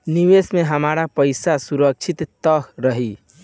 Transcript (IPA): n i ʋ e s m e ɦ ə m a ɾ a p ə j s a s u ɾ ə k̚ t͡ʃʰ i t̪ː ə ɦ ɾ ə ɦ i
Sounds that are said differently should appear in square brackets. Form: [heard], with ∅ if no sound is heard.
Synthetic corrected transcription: n i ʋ e s m e ɦ ə m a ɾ a p ə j s a s u ɾ ə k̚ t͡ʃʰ i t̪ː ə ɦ ɾ ə ɦ i